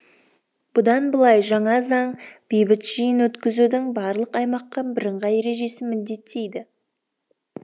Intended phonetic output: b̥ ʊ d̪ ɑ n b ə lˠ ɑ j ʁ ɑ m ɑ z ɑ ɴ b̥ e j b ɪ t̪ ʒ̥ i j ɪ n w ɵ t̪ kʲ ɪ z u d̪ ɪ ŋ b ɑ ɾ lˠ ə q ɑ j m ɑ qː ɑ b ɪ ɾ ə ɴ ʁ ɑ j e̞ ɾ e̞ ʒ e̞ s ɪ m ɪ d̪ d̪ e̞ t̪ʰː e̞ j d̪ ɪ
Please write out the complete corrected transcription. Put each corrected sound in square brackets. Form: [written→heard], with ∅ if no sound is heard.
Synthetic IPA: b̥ ʊ d̪ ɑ n b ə lˠ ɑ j [ʁ→ʒ] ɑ [m→ɴ] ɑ z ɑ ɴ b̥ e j b ɪ t̪ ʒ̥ i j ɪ n w ɵ t̪ kʲ ɪ z u d̪ ɪ ŋ b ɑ ɾ lˠ ə q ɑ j m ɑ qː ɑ b ɪ ɾ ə ɴ ʁ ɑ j e̞ ɾ e̞ ʒ e̞ s ɪ m ɪ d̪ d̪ e̞ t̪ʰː e̞ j d̪ ɪ